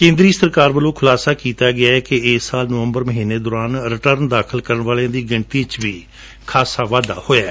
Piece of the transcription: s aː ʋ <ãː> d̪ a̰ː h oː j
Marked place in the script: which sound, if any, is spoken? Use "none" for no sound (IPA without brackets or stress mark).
aː